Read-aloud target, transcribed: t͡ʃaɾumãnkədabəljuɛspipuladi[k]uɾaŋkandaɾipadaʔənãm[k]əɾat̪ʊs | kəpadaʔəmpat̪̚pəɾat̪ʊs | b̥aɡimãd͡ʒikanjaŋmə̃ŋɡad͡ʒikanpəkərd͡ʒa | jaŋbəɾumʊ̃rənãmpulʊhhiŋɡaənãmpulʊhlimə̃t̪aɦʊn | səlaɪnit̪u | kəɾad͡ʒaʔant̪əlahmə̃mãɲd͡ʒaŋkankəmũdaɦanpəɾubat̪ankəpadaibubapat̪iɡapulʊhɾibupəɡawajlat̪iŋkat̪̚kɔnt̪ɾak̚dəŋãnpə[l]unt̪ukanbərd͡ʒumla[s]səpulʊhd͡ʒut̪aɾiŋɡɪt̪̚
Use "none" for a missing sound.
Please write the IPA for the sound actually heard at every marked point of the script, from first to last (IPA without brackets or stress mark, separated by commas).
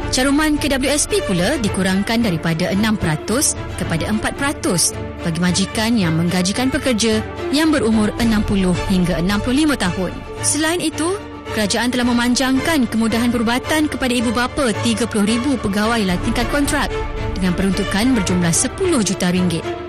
k, p, ɾ, h